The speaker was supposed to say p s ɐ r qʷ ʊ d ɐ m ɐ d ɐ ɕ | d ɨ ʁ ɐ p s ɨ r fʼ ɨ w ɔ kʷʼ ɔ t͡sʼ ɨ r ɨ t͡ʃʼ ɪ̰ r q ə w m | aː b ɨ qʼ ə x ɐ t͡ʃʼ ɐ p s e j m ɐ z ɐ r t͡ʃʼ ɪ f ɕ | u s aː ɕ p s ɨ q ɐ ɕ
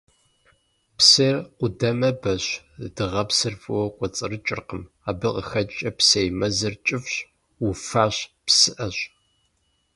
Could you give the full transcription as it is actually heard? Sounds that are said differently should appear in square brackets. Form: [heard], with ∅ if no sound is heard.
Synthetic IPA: p s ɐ r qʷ ʊ d ɐ m ɐ [b] ɐ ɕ | d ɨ ʁ ɐ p s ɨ r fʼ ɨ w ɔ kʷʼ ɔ t͡sʼ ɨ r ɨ t͡ʃʼ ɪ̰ r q ə [∅] m | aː b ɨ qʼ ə x ɐ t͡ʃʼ ɐ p s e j m ɐ z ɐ r t͡ʃʼ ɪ f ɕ | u [f] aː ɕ p s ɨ [ʔ] ɐ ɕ